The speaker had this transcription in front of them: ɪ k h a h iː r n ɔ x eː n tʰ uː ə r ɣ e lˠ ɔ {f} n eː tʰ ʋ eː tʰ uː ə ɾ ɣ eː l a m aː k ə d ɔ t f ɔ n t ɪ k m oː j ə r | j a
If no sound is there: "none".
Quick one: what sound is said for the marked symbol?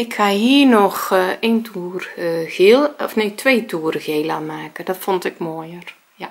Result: f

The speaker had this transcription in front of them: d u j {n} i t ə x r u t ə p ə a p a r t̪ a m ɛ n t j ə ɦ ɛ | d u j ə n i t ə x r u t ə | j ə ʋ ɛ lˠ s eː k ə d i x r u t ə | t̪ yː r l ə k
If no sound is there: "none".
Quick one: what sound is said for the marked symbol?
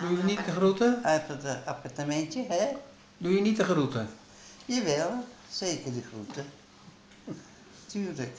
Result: n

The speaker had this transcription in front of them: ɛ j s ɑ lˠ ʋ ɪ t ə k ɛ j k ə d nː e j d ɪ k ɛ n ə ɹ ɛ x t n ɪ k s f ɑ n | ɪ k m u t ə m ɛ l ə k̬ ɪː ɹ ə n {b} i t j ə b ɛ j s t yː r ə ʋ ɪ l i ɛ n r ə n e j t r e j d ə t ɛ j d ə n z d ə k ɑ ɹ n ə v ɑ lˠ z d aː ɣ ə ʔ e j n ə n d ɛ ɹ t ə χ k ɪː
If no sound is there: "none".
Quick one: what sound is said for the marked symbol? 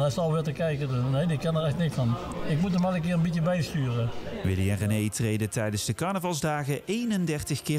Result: b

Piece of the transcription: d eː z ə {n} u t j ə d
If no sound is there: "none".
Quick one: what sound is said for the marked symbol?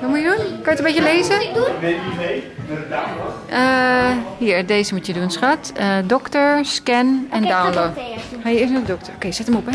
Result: m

